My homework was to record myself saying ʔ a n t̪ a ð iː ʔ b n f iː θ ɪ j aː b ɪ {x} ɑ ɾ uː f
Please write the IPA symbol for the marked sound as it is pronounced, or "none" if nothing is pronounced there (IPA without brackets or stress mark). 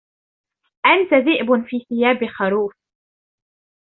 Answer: x